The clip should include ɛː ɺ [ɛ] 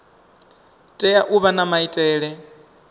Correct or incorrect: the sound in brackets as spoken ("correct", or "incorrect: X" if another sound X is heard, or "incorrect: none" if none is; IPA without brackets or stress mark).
correct